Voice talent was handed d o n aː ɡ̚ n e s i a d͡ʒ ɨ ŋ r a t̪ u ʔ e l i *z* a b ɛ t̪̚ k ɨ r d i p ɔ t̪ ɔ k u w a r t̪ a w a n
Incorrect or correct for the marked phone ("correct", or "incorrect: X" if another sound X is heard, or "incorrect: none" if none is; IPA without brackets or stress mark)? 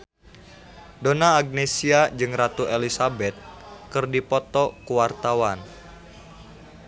incorrect: s